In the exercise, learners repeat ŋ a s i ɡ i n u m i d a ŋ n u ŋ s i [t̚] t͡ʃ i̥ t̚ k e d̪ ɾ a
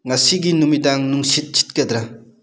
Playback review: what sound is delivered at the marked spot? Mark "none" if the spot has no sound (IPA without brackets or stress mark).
t̚